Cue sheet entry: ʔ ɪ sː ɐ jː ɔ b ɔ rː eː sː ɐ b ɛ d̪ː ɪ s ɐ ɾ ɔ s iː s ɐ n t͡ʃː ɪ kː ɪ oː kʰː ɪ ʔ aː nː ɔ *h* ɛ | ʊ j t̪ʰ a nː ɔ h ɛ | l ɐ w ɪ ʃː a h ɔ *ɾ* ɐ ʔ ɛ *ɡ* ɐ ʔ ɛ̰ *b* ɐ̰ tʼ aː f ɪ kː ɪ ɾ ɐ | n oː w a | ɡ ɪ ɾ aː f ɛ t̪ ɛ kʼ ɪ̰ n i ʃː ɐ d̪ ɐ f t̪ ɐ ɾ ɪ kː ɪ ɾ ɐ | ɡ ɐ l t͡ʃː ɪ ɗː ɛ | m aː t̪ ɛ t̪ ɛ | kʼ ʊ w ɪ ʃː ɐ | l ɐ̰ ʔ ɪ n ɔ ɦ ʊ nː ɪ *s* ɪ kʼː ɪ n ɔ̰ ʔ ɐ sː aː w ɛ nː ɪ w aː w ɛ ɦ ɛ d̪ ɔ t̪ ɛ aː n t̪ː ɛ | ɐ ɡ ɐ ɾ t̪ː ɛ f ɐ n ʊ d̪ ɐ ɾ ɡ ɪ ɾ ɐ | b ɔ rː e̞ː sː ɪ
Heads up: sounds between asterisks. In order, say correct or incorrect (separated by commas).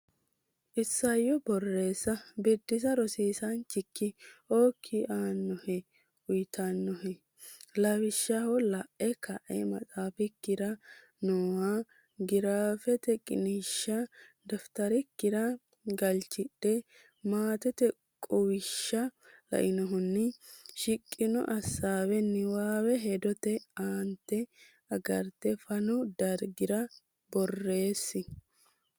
correct, incorrect, incorrect, incorrect, incorrect